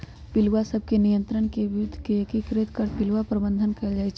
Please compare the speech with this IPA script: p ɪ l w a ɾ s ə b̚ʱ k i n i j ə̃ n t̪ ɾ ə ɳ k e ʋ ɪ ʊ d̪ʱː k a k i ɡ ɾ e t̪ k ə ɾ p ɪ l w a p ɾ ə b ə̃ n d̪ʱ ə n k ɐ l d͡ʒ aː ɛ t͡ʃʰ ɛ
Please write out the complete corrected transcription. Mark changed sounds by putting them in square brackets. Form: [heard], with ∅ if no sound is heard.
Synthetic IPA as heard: p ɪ l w a [∅] s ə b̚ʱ k [e] n i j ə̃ n t̪ ɾ ə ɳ k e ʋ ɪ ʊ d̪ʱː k [e] k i [k] ɾ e t̪ k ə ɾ p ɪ l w a p ɾ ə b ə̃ n d̪ʱ ə n k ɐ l d͡ʒ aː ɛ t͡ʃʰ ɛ